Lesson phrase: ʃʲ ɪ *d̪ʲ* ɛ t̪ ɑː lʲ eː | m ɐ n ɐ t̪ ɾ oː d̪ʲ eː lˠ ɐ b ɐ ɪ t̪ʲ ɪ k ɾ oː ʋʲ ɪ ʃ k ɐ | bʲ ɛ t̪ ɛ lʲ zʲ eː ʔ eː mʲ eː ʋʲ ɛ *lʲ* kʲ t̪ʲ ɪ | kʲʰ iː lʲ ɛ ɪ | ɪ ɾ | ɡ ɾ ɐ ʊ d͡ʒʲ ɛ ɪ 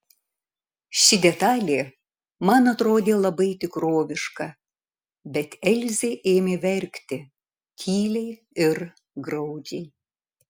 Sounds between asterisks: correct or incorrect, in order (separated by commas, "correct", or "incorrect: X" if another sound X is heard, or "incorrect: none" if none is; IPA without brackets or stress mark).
correct, incorrect: ɾʲ